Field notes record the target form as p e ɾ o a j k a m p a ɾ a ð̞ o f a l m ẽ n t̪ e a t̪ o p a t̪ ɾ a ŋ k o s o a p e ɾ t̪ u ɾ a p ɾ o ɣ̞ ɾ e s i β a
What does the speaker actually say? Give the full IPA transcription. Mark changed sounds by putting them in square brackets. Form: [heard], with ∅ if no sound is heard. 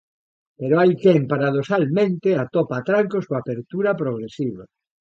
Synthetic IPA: p e ɾ o a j k [e] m p a ɾ a ð̞ o [s] a l m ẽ n t̪ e a t̪ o p a t̪ ɾ a ŋ k o s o a p e ɾ t̪ u ɾ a p ɾ o ɣ̞ ɾ e s i β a